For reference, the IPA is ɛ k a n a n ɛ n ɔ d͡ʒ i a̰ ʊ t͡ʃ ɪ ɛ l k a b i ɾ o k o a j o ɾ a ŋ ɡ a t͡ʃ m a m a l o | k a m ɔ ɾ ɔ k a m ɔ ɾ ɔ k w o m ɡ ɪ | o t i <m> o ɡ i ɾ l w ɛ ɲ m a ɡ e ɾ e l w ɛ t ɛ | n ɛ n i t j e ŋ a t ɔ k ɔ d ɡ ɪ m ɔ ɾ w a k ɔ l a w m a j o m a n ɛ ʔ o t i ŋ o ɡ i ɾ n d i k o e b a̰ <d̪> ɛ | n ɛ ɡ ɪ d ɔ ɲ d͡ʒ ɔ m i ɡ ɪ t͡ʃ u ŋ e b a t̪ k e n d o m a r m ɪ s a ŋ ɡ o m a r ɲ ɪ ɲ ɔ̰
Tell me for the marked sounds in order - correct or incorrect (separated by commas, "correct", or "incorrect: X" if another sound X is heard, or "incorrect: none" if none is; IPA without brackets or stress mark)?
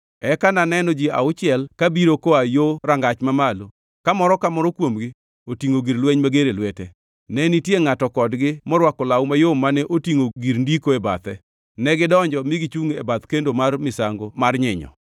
incorrect: ŋ, incorrect: t̪